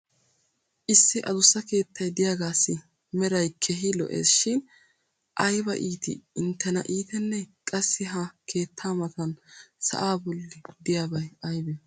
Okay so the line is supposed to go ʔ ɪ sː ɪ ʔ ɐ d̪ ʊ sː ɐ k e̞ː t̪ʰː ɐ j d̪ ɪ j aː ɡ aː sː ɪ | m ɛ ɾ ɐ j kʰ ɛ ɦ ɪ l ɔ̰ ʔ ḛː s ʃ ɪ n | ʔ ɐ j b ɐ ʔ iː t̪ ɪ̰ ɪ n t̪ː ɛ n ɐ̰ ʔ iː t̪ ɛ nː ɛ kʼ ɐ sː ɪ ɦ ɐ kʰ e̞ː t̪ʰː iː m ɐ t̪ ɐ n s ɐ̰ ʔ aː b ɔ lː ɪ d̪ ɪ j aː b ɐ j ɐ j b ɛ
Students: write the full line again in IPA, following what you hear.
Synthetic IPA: ʔ ɪ sː ɪ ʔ ɐ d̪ ʊ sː ɐ k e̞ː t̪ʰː ɐ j d̪ ɪ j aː ɡ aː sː ɪ | m ɛ ɾ ɐ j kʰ ɛ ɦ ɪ l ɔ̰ ʔ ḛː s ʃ ɪ n | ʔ ɐ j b ɐ ʔ iː t̪ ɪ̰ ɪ n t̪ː ɛ n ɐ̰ ʔ iː t̪ ɛ nː ɛ kʼ ɐ sː ɪ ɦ ɐ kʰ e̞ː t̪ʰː aː m ɐ t̪ ɐ n s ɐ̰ ʔ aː b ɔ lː ɪ d̪ ɪ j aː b ɐ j ɐ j b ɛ